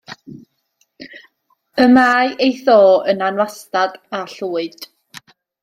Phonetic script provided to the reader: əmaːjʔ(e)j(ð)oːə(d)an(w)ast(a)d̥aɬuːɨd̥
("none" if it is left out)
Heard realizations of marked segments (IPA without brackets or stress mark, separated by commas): e, θ, n, w, a